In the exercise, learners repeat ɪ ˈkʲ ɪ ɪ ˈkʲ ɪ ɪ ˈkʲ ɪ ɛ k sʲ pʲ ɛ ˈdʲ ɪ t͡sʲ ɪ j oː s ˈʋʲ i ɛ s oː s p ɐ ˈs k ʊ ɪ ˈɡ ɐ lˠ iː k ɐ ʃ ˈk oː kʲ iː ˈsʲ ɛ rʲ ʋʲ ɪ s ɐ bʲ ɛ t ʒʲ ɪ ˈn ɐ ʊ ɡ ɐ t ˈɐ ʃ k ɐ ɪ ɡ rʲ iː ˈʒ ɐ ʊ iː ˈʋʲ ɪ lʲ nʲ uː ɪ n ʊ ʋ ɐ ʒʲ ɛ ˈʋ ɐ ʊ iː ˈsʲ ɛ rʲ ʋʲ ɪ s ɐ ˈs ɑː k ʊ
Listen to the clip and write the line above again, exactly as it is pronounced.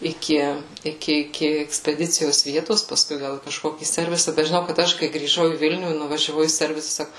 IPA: ɪ ˈkʲ ɪ ɪ ˈkʲ ɪ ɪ ˈkʲ ɪ ɛ k sʲ pʲ ɛ ˈdʲ ɪ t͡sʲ ɪ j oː s ˈʋʲ i ɛ t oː s p ɐ ˈs k ʊ ɪ ˈɡ ɐ lˠ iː k ɐ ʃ ˈk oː kʲ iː ˈsʲ ɛ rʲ ʋʲ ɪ s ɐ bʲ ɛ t ʒʲ ɪ ˈn ɐ ʊ k ɐ t ˈɐ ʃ k ɐ ɪ ɡ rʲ iː ˈʒ ɐ ʊ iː ˈʋʲ ɪ lʲ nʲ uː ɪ n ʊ ʋ ɐ ʒʲ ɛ ˈʋ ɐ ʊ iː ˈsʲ ɛ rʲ ʋʲ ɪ s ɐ ˈs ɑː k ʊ